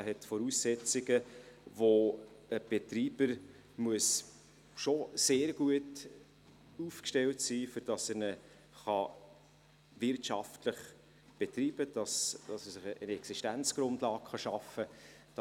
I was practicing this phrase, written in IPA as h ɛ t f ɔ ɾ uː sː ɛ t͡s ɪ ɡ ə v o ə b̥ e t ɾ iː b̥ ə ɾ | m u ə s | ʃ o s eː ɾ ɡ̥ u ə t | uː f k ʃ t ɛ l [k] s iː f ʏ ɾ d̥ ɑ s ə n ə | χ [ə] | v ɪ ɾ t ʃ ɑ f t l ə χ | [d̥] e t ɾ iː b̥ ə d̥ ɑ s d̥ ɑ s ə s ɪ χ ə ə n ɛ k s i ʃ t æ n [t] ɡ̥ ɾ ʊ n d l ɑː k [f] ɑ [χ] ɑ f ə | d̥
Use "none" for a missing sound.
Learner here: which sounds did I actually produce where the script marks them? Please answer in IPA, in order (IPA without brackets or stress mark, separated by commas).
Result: t, ɑ, b̥, t͡s, χ, ʃ